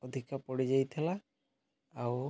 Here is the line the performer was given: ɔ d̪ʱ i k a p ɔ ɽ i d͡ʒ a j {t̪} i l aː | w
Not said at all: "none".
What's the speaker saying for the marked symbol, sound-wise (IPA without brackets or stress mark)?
t̪ʰ